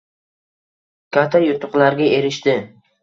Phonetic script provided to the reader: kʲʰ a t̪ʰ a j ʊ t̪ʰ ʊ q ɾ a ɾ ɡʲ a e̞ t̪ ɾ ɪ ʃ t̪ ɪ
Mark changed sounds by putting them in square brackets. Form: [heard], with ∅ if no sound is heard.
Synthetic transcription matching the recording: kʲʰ a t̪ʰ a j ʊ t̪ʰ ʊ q [l] a ɾ ɡʲ a e̞ [∅] ɾ ɪ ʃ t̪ ɪ